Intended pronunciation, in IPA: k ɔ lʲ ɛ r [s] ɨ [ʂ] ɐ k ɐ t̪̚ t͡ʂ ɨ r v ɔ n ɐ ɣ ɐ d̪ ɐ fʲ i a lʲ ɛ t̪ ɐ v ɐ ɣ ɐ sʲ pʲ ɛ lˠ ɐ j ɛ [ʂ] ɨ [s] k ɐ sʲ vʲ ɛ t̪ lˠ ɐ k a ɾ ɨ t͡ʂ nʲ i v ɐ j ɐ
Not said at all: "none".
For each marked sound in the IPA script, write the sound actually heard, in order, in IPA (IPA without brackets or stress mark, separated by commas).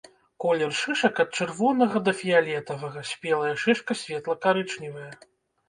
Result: ʂ, ʂ, ʂ, ʂ